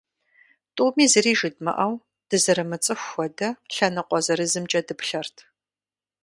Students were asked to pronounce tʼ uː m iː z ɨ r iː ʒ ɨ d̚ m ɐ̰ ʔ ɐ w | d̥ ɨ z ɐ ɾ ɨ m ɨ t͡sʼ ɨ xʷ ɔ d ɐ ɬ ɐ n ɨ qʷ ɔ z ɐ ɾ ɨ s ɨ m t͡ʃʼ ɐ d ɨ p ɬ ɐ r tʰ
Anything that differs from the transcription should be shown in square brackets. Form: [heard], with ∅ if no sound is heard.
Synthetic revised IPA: tʼ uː m iː z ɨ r iː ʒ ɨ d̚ m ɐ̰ ʔ ɐ w | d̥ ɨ z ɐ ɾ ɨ m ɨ t͡sʼ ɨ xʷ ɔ d ɐ ɬ ɐ n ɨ qʷ ɔ z ɐ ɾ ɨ [z] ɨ m t͡ʃʼ ɐ d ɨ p ɬ ɐ r tʰ